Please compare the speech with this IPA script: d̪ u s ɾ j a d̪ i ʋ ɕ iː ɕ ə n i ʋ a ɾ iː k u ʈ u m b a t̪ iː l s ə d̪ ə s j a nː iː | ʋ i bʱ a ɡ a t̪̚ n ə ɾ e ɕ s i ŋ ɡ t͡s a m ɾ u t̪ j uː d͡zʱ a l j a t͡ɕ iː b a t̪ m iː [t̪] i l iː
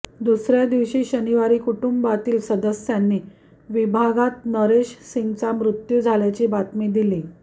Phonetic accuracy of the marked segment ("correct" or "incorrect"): incorrect